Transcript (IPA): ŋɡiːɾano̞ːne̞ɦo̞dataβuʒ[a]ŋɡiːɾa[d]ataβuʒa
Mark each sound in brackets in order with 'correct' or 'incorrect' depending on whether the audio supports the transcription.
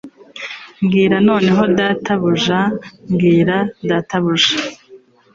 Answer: correct, correct

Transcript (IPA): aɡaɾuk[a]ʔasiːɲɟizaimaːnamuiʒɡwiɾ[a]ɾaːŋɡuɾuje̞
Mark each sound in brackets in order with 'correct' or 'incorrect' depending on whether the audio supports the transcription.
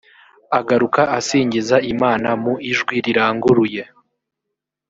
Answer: correct, incorrect: i

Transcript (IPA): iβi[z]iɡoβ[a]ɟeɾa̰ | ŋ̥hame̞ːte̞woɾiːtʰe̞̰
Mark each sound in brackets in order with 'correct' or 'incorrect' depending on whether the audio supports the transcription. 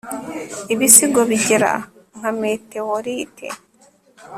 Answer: incorrect: s, incorrect: i

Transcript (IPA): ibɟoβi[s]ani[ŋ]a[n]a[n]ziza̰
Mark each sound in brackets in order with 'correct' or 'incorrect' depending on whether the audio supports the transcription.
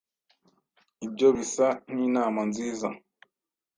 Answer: correct, incorrect: n, incorrect: m, correct

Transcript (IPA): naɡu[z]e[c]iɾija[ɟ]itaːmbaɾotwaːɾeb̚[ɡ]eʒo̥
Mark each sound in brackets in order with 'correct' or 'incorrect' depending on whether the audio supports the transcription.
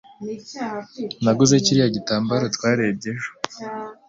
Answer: correct, correct, correct, incorrect: ɟ

